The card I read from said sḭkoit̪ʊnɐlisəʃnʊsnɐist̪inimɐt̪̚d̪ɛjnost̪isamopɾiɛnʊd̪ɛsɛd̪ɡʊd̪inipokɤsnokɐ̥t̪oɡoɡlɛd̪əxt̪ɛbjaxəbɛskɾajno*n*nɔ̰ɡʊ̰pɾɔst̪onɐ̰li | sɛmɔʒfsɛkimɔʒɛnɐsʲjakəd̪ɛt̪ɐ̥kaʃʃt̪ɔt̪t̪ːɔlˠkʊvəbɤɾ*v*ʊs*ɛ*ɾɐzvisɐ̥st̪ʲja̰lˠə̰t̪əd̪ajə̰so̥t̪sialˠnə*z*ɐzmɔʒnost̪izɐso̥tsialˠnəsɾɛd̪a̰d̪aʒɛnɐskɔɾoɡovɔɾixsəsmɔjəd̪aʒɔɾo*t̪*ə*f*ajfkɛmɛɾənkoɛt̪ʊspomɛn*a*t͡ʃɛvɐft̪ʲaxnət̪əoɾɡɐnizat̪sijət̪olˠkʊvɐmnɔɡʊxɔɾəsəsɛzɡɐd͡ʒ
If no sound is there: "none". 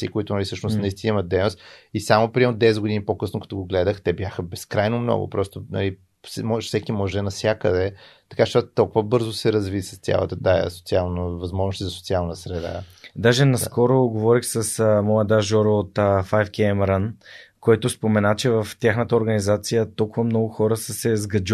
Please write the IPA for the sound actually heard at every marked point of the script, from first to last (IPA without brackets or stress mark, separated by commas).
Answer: m, z, ɛ, v, t̪, f, a